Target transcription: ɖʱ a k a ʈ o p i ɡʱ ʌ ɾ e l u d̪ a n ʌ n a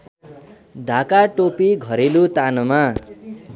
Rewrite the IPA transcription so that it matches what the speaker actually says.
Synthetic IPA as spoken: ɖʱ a k a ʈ o p i ɡʱ ʌ ɾ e l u t̪ a n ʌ m a